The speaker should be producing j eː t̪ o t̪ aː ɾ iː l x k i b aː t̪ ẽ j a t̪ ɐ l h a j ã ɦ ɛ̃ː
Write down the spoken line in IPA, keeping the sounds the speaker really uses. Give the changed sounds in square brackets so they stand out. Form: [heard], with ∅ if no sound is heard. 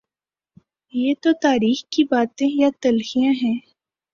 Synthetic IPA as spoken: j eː t̪ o t̪ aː ɾ iː [∅] x k i b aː t̪ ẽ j a t̪ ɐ l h [i] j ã ɦ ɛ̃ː